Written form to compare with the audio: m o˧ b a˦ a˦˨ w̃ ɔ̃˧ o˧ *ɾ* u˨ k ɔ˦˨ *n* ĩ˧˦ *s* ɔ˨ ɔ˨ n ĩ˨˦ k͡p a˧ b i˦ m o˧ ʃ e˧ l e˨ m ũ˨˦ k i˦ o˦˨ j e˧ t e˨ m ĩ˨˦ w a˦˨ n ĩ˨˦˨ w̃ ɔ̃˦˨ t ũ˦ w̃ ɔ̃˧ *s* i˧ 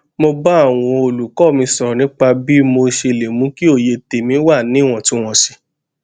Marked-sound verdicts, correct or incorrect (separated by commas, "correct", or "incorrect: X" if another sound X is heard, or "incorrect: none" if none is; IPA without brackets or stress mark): incorrect: l, incorrect: m, correct, correct